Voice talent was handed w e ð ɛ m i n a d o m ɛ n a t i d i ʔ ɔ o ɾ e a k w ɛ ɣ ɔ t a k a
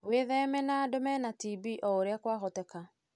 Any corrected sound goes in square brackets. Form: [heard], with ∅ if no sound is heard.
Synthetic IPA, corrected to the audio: w e ð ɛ m [ɛ] n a d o m ɛ n a t i [b] i ʔ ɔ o ɾ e a k w [a] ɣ ɔ t [ɛ] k a